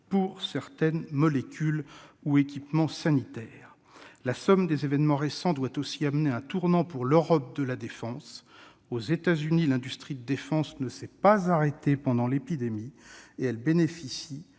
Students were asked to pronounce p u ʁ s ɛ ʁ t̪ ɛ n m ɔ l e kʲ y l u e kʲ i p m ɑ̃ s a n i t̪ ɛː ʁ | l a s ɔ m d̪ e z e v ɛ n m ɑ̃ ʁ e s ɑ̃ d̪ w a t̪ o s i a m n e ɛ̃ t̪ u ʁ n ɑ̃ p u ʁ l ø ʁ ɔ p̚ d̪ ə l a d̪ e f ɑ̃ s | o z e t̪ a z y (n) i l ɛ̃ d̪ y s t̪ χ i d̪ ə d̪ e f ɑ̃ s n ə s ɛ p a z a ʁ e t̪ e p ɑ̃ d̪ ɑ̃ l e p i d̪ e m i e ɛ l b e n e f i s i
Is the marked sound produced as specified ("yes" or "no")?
yes